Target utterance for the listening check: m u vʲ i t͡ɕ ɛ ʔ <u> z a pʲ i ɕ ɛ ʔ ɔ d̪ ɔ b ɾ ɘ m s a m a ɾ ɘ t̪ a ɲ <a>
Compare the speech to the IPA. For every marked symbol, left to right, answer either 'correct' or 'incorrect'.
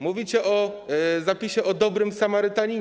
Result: incorrect, incorrect

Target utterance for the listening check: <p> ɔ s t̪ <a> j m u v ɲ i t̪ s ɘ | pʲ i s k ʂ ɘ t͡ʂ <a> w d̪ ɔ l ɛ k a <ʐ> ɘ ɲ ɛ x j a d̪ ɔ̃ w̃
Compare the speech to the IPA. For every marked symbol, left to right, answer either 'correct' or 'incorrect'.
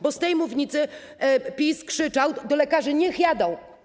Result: incorrect, incorrect, correct, correct

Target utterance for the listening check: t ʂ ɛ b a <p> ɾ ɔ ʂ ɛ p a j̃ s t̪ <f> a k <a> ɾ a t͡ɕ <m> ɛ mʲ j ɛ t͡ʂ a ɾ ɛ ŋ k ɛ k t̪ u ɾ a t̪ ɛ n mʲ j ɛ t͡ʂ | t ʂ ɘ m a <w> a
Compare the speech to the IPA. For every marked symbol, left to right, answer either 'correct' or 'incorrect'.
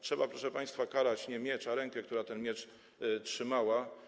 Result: correct, correct, correct, incorrect, correct

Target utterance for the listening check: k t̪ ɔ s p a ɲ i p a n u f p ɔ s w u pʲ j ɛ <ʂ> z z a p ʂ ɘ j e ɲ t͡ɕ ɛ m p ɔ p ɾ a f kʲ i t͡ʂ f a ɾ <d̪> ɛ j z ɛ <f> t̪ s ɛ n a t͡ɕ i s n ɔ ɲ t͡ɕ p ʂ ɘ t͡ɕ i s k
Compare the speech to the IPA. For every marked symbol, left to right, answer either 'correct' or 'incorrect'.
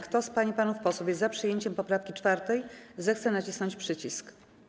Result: incorrect, incorrect, incorrect

